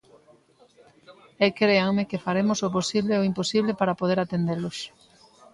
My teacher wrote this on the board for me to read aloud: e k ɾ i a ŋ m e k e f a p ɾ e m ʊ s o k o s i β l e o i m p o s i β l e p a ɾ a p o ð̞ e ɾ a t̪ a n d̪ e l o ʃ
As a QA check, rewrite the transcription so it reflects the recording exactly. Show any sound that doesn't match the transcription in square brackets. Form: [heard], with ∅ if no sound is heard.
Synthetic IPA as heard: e k ɾ [e] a ŋ m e k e f a [∅] ɾ e m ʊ s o [p] o s i β l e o i m p o s i β l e p a ɾ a p o ð̞ e ɾ a t̪ [e] n d̪ e l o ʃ